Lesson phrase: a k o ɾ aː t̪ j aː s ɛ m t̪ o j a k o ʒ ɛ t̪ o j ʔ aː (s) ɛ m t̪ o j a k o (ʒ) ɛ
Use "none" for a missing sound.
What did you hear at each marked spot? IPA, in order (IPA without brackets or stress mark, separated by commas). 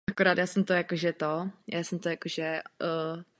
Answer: s, ʒ